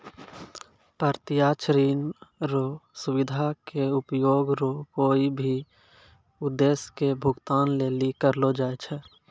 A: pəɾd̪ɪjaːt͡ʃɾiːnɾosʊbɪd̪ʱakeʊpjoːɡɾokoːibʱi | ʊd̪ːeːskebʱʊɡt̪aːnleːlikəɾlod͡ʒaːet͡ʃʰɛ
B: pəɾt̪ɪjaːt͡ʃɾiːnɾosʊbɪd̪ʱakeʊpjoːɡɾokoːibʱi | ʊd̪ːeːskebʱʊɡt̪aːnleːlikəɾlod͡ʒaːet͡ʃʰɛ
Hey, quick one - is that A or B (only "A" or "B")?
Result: B